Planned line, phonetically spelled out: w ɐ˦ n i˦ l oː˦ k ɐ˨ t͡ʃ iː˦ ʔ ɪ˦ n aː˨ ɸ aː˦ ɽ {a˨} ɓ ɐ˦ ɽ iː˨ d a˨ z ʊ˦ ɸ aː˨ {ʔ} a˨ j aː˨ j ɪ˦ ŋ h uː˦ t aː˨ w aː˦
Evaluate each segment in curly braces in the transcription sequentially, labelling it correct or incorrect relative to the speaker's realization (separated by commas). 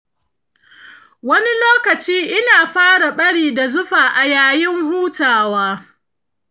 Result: correct, correct